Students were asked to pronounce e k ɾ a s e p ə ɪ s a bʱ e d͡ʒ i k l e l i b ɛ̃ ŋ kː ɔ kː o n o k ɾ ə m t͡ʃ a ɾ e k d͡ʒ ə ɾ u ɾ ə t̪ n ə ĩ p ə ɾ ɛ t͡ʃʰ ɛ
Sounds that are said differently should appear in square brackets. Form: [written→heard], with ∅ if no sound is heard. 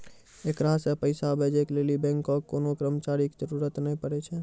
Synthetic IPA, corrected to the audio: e k ɾ a s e p ə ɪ s a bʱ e d͡ʒ [i→e] k l e l i b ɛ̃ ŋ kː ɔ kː o n o k ɾ ə m t͡ʃ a ɾ [e→i] k d͡ʒ ə ɾ u ɾ ə t̪ n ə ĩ p ə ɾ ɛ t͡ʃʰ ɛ

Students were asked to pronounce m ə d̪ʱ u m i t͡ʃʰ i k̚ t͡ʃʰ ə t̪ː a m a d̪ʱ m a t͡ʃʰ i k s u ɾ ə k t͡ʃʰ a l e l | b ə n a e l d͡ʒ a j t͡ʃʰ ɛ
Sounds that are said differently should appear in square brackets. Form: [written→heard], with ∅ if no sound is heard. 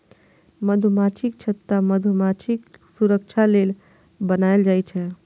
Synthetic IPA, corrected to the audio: m ə d̪ʱ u m [i→a] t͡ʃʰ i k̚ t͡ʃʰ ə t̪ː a m [a→ə] d̪ʱ m a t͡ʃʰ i k s u ɾ ə k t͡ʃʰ a l e l | b ə n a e l d͡ʒ a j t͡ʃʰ ɛ

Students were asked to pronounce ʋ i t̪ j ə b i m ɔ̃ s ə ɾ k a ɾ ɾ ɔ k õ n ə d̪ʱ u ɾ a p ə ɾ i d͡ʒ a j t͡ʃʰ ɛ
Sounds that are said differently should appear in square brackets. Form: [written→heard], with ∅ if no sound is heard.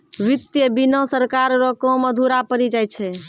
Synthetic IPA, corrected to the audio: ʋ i t̪ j ə b i [m→n] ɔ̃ s ə ɾ k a ɾ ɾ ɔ k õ [n→m] ə d̪ʱ u ɾ a p ə ɾ i d͡ʒ a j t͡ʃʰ ɛ

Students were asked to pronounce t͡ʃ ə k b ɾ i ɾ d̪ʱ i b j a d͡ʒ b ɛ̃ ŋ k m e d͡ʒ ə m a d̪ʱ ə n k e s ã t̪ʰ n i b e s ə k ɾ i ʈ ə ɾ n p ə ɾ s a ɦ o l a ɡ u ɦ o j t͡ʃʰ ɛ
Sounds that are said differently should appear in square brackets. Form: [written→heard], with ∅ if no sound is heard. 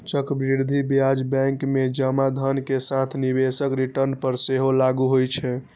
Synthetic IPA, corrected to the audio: t͡ʃ ə k b ɾ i ɾ d̪ʱ i b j a d͡ʒ b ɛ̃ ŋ k m e d͡ʒ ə m a d̪ʱ ə n k e s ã t̪ʰ n i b e s ə k ɾ i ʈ ə ɾ n p ə ɾ s [a→e] ɦ o l a ɡ u ɦ o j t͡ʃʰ ɛ

